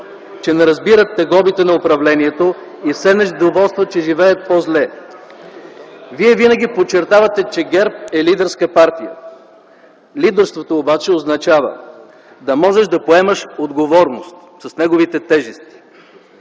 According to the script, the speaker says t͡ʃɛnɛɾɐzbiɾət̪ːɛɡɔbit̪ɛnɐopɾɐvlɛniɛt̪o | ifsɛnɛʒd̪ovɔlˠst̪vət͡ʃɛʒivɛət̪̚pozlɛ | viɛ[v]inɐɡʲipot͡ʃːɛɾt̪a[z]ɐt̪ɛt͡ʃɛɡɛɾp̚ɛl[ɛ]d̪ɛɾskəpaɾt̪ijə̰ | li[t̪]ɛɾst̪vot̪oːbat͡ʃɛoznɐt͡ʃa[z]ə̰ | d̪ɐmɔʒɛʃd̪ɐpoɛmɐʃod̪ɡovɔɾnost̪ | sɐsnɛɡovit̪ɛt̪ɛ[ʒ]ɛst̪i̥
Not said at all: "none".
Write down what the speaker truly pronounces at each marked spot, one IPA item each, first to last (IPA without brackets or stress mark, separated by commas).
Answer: v, v, i, d̪, v, ʒ